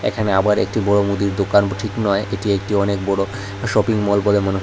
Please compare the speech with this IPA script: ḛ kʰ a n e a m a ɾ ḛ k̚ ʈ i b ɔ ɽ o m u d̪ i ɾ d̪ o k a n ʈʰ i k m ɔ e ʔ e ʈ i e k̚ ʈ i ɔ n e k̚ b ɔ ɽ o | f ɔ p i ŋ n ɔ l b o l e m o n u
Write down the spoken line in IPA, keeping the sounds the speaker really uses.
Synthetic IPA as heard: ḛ kʰ a n e a b a ɾ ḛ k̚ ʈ i b ɔ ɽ o m u d̪ i ɾ d̪ o k a n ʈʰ i k n ɔ e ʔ e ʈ i e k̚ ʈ i ɔ n e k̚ b ɔ ɽ o | ʃ ɔ p i ŋ m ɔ l b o l e m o n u